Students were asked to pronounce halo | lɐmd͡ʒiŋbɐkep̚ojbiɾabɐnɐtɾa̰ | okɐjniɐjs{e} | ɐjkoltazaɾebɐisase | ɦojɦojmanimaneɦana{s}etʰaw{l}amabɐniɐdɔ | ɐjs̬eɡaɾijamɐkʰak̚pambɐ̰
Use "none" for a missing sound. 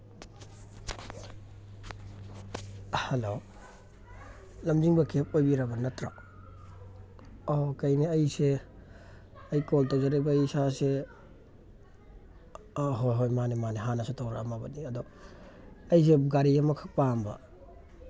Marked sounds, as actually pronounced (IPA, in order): e, s, ɾ

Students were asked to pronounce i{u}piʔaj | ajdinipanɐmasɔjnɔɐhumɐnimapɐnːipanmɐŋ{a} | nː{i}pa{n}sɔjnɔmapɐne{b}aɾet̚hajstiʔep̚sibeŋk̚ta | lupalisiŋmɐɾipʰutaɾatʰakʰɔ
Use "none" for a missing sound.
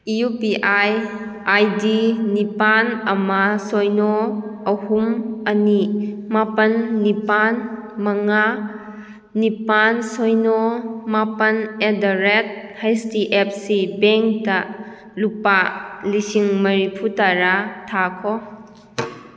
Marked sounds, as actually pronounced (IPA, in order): u, a, i, n, d

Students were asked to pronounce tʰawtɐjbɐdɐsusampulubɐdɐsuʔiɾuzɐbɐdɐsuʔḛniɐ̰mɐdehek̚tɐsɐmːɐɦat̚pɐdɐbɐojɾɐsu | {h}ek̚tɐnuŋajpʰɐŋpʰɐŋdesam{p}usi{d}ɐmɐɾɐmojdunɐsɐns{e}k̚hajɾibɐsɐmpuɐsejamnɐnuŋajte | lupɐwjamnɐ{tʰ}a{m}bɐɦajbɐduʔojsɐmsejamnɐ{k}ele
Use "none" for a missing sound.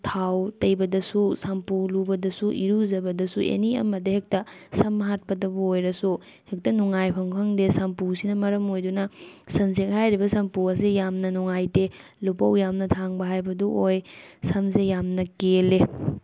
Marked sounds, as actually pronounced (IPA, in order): h, p, n, e, tʰ, ŋ, k

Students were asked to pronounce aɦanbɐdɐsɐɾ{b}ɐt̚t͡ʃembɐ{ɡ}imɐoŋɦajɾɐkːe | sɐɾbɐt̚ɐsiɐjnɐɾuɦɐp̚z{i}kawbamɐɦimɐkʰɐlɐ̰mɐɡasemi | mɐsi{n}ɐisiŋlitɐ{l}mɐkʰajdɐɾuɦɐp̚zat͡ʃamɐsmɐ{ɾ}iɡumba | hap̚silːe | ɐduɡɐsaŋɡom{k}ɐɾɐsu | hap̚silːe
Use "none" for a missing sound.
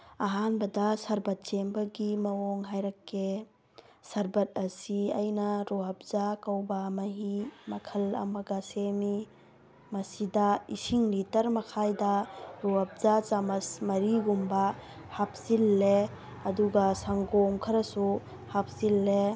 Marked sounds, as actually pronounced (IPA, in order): b, ɡ, a, d, ɾ, ɾ, kʰ

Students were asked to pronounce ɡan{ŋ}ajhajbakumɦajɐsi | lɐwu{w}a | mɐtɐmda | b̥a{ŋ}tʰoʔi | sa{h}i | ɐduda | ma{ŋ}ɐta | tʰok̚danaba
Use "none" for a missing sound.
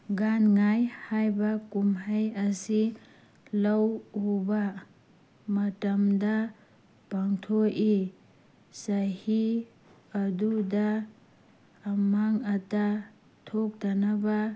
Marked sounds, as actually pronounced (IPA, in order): ŋ, b, ŋ, h, ŋ

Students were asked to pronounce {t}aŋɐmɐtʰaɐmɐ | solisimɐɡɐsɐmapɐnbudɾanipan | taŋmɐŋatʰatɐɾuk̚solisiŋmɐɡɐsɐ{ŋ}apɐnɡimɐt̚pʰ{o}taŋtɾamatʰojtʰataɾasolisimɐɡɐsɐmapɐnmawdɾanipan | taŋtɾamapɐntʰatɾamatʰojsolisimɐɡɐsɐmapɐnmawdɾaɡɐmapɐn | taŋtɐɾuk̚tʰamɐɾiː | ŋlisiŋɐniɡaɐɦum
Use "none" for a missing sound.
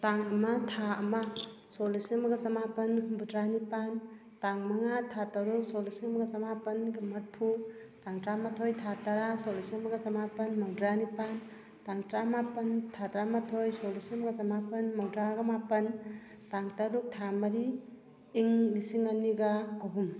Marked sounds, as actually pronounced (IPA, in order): t, m, u

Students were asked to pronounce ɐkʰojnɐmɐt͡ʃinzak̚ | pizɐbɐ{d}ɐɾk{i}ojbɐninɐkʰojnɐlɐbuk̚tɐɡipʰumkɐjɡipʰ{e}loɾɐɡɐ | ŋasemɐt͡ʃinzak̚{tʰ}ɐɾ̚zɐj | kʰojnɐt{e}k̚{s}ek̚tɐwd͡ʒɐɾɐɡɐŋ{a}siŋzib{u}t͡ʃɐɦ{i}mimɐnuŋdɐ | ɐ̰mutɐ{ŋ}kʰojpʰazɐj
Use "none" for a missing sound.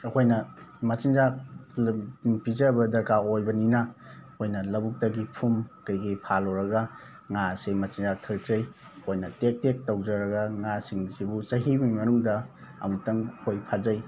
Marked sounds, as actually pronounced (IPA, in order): d, a, a, tʰ, e, t, a, u, i, ŋ

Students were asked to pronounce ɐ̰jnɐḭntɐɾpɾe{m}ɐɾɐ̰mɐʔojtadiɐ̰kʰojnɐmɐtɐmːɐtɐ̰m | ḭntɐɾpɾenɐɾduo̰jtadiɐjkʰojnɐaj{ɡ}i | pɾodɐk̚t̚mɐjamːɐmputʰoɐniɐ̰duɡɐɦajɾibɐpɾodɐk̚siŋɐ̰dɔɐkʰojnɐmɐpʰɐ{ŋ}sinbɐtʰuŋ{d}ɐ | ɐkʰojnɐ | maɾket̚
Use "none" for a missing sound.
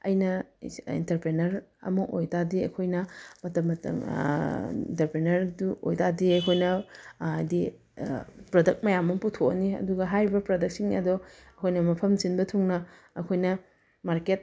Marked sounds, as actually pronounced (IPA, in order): n, d, m, n

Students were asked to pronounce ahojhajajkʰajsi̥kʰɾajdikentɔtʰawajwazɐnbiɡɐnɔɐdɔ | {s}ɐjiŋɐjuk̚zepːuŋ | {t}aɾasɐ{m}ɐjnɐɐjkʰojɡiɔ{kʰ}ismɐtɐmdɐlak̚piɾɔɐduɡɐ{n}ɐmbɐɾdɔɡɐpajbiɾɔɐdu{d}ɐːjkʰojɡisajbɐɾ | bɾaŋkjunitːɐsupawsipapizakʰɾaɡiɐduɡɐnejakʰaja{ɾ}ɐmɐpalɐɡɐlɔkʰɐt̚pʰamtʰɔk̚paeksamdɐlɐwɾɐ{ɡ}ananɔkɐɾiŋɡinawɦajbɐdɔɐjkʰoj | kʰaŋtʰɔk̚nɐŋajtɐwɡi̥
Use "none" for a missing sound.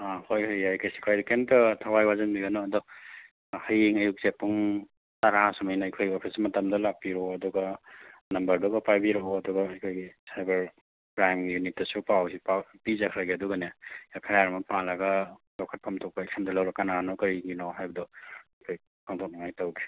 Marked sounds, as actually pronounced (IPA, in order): h, t, m, pʰ, n, ɡ, ɾ, k

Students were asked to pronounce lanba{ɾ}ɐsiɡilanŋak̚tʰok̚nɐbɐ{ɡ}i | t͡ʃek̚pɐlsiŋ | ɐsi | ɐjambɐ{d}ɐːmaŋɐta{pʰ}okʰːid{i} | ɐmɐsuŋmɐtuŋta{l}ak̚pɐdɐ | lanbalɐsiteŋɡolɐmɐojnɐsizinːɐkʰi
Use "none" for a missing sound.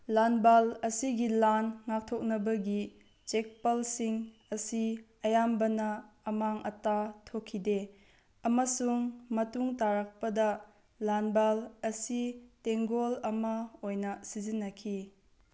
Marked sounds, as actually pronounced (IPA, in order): l, ɡ, n, tʰ, e, ɾ

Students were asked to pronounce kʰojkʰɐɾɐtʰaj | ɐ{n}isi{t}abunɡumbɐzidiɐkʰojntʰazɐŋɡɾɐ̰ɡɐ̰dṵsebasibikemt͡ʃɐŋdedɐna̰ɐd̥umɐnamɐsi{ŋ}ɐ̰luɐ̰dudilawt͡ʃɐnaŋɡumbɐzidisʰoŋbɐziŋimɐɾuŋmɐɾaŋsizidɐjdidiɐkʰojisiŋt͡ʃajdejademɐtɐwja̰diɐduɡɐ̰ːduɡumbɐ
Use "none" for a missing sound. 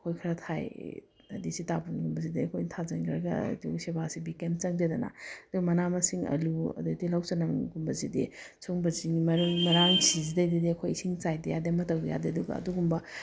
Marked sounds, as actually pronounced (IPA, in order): d, t, ŋ

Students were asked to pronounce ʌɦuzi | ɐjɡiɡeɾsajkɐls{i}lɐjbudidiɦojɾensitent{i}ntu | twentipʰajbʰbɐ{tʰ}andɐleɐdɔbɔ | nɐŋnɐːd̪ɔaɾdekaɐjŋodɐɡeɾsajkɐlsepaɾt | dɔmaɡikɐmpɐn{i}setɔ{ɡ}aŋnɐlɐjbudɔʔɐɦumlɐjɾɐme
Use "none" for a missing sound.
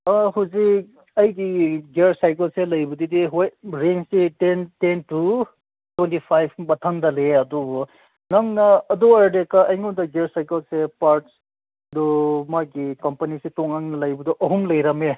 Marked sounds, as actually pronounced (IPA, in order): e, e, tʰ, i, ŋ

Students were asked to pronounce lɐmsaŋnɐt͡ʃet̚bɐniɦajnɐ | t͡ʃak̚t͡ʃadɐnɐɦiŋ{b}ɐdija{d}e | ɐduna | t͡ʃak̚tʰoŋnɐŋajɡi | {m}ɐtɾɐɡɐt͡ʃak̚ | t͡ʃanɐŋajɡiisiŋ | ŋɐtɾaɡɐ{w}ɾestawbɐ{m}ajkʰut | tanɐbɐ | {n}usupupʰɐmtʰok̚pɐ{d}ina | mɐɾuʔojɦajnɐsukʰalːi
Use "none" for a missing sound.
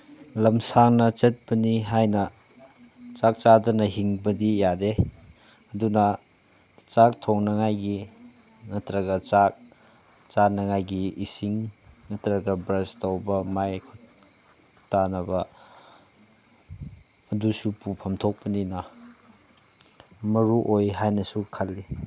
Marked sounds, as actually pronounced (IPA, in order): b, d, ŋ, b, m, d, n

